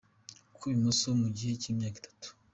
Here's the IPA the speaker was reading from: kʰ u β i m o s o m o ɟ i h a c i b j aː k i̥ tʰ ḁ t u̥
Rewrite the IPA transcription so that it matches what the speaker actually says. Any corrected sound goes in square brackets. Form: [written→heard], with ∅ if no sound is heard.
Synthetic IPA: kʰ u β i m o s o m [o→u] ɟ i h [a→e] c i [b→m] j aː k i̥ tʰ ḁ t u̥